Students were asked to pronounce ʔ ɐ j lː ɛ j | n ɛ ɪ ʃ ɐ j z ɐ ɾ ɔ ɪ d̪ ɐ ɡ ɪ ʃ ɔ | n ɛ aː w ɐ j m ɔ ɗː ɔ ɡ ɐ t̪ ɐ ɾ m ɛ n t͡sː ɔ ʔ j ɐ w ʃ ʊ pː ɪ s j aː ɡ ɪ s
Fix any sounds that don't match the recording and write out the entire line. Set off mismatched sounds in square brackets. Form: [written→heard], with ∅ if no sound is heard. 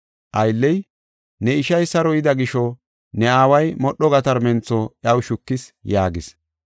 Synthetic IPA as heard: ʔ ɐ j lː ɛ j | n ɛ ɪ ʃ ɐ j [z→s] ɐ ɾ ɔ ɪ d̪ ɐ ɡ ɪ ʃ ɔ | n ɛ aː w ɐ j m ɔ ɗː ɔ ɡ ɐ t̪ ɐ ɾ m ɛ n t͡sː ɔ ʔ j ɐ w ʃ ʊ [pː→kː] ɪ s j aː ɡ ɪ s